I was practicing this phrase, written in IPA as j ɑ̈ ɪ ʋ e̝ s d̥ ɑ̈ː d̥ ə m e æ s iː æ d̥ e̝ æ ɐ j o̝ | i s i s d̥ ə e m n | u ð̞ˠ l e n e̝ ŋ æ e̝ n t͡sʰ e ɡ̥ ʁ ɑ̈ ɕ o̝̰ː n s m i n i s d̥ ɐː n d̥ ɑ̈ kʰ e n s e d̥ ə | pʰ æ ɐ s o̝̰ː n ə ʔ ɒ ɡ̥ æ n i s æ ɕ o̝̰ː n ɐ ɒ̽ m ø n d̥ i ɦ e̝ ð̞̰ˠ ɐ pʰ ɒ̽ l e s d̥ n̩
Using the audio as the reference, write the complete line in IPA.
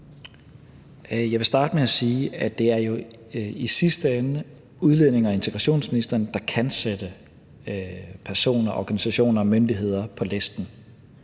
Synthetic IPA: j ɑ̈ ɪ ʋ e̝ s d̥ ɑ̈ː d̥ ə m e æ s iː æ d̥ e̝ æ ɐ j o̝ | i s i s d̥ ə e n | u ð̞ˠ l e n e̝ ŋ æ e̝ n t͡sʰ e ɡ̥ ʁ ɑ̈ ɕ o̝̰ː n s m i n i s d̥ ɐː n d̥ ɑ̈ kʰ æ n s e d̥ ə | pʰ æ ɐ s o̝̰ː n ɐ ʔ ɒ ɡ̥ æ n i s æ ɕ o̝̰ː n ɐ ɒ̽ m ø n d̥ i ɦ e̝ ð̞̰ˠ ɐ pʰ ɒ̽ l e s d̥ n̩

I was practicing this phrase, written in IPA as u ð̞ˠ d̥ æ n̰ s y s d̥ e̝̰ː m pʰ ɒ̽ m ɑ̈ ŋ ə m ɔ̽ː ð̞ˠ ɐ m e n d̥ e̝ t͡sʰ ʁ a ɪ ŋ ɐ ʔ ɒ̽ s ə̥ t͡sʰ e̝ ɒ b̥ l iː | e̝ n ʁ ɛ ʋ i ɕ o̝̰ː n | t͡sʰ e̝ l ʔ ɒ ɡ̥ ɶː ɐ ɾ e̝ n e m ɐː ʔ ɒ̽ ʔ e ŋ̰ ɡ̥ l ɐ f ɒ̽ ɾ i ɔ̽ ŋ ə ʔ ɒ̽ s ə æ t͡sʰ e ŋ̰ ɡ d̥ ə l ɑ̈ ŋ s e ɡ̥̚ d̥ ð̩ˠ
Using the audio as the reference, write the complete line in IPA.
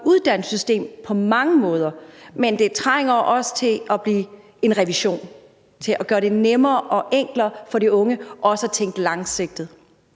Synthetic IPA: u ð̞ˠ d̥ æ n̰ s y s d̥ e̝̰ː m pʰ ɒ̽ m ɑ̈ ŋ ə m ɔ̽ː ð̞ˠ ɐ m e n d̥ e̝ t͡sʰ ʁ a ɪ ŋ ɐ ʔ ɒ̽ s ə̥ t͡sʰ e̝ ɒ b̥ l iː | e̝ n ʁ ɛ ʋ i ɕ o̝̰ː n | t͡sʰ e̝ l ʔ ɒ ɡ̥ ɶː ɐ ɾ e̝ n e m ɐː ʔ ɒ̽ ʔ e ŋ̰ ɡ̥ l ɐ f ɒ̽ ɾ i ɔ̽ ŋ ə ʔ ɒ̽ s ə æ t͡sʰ e ŋ̰ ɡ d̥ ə l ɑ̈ ŋ s e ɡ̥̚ d̥ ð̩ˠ

